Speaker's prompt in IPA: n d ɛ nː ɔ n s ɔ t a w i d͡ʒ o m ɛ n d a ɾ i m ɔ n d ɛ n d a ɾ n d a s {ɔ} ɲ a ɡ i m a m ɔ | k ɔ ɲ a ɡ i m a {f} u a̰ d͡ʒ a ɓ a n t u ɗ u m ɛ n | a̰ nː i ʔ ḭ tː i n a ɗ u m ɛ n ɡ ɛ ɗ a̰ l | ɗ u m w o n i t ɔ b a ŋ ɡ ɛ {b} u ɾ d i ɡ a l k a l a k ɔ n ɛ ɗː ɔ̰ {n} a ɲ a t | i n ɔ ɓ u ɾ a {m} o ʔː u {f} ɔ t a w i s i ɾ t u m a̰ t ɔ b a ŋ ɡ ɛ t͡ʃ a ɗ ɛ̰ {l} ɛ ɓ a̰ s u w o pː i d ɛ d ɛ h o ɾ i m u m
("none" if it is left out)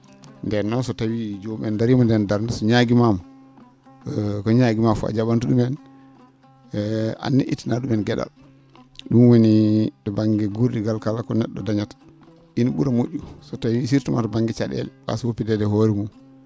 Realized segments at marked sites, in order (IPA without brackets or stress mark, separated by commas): ɔ, f, ɡ, d, m, s, l